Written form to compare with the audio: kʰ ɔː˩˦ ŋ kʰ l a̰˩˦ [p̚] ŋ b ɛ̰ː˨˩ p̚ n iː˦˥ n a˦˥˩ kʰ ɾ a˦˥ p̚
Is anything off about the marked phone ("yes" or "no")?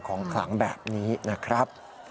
yes